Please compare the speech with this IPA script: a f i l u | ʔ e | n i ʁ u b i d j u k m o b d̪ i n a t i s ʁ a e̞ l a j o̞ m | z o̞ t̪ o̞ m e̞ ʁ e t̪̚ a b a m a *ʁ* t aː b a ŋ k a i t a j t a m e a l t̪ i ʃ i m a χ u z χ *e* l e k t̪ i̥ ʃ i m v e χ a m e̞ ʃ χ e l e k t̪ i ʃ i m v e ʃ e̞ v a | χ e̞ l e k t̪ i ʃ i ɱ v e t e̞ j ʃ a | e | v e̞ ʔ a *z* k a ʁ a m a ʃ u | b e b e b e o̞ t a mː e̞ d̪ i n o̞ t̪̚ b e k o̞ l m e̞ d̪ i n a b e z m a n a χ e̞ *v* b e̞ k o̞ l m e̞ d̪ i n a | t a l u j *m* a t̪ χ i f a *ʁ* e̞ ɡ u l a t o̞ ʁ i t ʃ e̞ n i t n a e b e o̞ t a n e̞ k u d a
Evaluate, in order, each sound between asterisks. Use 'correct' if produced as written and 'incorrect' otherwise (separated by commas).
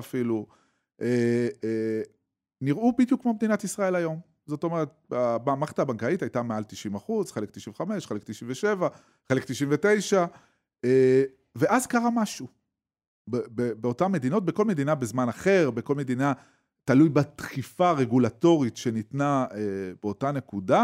incorrect, correct, correct, incorrect, incorrect, correct